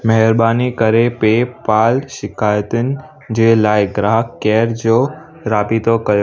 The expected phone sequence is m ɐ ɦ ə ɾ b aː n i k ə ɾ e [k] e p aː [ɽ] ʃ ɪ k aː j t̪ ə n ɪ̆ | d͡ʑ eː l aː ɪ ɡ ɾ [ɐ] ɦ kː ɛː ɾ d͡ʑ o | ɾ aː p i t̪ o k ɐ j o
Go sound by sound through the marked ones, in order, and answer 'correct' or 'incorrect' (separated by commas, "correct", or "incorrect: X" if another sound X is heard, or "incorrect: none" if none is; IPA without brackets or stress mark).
incorrect: p, incorrect: l, incorrect: a